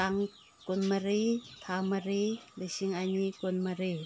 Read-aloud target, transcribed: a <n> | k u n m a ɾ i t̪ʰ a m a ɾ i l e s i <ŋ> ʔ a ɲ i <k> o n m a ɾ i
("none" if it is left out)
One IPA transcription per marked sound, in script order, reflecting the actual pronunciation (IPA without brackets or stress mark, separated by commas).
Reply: ŋ, ŋ, k